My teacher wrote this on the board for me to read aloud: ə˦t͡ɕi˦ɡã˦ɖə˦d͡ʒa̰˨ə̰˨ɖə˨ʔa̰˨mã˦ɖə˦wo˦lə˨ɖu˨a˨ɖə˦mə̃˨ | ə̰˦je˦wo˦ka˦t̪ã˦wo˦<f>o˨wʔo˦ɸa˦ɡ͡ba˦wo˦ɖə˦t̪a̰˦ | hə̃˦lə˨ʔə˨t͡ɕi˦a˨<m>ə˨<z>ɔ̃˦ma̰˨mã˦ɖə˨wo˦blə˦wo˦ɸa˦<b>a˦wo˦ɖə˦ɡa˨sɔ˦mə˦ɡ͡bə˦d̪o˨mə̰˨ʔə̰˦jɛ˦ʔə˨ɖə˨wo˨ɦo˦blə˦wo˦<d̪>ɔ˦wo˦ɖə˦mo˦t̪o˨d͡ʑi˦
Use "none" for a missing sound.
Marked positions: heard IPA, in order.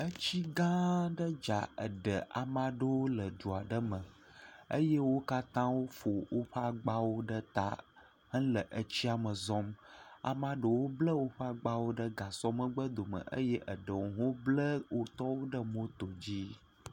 f, m, z, ɡ͡b, t̪

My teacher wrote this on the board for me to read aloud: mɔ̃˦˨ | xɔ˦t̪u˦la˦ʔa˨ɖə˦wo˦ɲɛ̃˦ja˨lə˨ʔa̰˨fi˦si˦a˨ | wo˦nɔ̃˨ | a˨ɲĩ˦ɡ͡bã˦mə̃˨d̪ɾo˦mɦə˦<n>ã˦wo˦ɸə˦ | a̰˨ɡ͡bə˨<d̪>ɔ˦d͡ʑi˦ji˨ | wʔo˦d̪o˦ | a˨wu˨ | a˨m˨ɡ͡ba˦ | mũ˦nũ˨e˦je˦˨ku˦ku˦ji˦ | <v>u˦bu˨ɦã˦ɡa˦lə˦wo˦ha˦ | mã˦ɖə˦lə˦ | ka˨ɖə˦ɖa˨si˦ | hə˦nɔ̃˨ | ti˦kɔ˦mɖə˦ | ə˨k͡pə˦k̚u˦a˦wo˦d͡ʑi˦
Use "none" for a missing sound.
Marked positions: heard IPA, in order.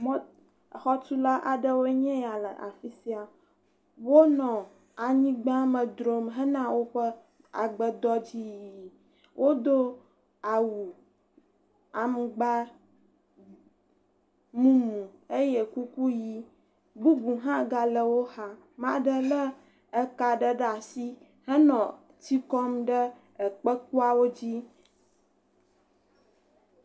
n, d̪, b

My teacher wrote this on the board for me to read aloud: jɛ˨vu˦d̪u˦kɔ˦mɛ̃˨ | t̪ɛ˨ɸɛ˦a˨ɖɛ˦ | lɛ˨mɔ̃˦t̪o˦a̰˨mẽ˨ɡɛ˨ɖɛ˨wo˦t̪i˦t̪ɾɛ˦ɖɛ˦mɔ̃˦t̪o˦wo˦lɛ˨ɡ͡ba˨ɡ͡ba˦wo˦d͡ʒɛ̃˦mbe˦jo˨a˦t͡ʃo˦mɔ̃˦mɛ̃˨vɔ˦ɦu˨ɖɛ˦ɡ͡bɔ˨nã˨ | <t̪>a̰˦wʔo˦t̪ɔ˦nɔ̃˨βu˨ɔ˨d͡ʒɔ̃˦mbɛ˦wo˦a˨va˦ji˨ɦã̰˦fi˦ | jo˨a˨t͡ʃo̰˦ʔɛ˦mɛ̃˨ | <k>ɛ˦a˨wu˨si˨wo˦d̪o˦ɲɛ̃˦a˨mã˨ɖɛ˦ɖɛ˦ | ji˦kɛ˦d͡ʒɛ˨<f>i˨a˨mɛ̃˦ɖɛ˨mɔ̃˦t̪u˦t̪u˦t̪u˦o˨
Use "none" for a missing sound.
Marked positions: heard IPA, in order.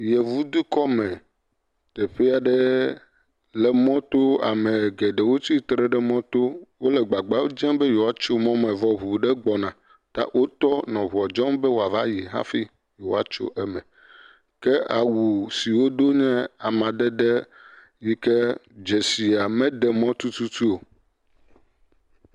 t̪, k, s

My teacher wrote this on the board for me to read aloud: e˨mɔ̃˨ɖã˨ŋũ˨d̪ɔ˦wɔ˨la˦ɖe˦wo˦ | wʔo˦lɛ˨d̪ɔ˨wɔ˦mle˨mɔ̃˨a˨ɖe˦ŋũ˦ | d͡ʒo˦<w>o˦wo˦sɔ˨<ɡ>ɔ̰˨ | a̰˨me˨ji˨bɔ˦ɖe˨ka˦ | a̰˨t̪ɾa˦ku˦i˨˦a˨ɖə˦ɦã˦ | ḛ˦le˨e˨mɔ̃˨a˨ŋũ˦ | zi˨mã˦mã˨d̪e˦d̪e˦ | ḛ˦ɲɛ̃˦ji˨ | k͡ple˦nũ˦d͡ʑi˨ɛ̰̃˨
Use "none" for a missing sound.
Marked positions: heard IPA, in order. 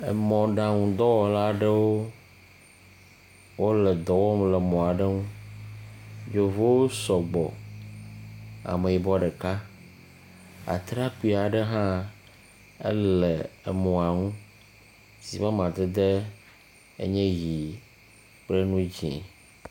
v, ɡ͡b

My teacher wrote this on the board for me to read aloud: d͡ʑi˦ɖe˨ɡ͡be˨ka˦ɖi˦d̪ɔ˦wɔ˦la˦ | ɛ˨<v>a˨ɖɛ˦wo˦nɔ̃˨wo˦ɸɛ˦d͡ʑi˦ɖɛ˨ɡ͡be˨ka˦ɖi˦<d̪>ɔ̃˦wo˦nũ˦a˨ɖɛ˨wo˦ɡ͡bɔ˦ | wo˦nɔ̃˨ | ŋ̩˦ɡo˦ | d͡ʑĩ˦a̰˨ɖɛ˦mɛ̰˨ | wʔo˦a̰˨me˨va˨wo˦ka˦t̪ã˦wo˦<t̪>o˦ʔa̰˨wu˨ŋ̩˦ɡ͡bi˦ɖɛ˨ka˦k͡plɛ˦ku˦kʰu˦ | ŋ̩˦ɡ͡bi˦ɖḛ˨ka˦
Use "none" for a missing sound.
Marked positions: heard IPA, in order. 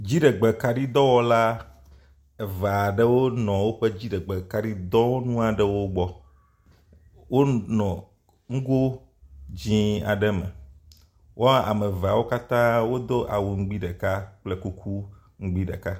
v, d̪, d̪

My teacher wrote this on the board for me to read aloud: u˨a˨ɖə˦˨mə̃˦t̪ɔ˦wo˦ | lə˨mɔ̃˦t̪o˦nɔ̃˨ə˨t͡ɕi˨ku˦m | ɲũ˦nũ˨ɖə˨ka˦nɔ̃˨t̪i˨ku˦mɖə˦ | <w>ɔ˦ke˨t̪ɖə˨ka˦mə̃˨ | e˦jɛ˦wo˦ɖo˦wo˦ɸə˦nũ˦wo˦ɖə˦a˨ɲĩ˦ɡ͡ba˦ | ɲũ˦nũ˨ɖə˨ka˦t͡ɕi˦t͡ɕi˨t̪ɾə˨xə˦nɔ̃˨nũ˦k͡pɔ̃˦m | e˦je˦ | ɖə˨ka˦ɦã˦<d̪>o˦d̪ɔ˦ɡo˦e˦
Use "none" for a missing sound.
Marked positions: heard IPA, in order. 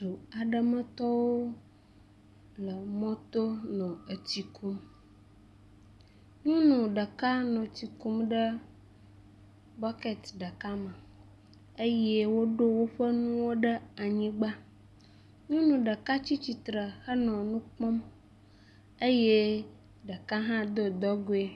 b, d̪

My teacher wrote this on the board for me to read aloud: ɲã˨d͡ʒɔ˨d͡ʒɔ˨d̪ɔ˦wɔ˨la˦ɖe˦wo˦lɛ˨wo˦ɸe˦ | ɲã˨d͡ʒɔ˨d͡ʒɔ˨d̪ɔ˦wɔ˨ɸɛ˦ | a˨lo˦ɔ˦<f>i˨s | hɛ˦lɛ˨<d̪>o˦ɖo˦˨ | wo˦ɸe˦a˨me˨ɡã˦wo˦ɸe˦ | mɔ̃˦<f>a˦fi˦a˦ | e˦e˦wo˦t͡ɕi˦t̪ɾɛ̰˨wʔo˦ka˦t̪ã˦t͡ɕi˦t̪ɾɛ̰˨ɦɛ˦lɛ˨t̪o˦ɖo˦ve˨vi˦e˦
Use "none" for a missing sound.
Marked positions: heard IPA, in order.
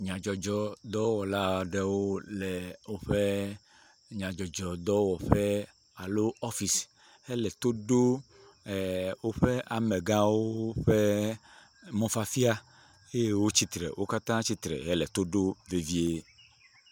f, t̪, f

